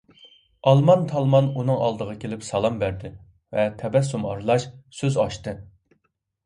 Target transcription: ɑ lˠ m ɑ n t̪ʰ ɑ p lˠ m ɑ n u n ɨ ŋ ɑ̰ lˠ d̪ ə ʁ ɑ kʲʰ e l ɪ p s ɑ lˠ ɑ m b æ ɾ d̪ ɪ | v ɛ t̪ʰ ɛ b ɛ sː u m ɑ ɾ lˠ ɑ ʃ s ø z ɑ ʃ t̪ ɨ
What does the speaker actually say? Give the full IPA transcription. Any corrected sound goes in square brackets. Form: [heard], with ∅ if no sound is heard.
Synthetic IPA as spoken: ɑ lˠ m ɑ n t̪ʰ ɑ [∅] lˠ m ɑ n u n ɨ ŋ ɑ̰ lˠ d̪ ə ʁ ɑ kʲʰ e l ɪ p s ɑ lˠ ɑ m b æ ɾ d̪ ɪ | v ɛ t̪ʰ ɛ b ɛ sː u m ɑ ɾ lˠ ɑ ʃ s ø z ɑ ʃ t̪ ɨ

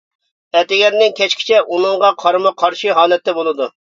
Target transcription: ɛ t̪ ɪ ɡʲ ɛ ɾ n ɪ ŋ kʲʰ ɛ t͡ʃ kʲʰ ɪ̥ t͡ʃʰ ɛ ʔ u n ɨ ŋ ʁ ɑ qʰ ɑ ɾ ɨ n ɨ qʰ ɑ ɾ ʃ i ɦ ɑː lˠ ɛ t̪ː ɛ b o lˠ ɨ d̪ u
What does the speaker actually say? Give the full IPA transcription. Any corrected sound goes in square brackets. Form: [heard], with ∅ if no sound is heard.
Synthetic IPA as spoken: ɛ t̪ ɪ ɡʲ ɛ ɾ n ɪ ŋ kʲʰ ɛ t͡ʃ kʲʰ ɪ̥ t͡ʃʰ ɛ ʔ u n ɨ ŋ ʁ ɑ qʰ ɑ ɾ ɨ [m] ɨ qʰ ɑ ɾ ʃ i ɦ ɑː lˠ ɛ t̪ː ɛ b o lˠ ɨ d̪ u

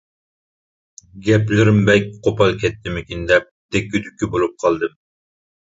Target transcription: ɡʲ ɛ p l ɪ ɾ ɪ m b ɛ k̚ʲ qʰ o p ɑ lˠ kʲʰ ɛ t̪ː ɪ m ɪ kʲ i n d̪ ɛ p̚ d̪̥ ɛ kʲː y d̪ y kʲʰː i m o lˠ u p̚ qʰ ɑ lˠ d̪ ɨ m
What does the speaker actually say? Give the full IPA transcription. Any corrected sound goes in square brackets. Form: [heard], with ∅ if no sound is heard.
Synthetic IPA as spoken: ɡʲ ɛ p l ɪ ɾ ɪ m b ɛ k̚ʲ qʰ o p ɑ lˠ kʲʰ ɛ t̪ː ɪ m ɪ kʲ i n d̪ ɛ p̚ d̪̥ ɛ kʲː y d̪ y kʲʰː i [b] o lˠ u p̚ qʰ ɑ lˠ d̪ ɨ m

